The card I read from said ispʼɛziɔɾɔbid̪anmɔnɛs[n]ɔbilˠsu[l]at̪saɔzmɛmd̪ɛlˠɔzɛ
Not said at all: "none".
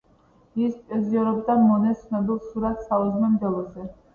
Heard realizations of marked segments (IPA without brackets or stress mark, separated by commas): n, ɾ